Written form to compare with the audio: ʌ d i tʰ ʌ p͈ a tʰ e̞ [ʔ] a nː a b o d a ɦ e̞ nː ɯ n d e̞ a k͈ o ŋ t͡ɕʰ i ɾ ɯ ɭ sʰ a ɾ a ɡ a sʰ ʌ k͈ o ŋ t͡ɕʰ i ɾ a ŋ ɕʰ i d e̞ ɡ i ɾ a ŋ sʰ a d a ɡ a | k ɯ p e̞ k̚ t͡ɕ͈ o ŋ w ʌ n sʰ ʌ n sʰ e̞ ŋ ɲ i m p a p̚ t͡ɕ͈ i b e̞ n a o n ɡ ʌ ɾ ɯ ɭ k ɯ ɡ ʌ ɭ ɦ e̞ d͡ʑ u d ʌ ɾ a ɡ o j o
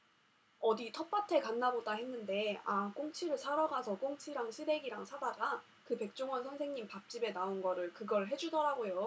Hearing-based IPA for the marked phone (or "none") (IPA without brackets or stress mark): k